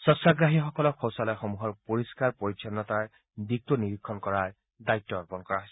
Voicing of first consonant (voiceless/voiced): voiceless